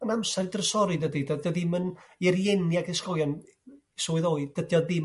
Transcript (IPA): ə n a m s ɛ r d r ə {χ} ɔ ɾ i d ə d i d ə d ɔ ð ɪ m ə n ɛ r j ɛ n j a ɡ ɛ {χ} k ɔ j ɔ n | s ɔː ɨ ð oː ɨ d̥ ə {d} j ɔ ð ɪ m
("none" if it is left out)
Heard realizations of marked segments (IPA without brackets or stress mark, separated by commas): s, s, d